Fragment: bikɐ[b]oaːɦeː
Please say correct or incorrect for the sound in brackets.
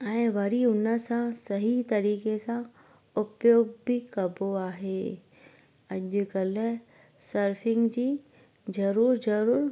correct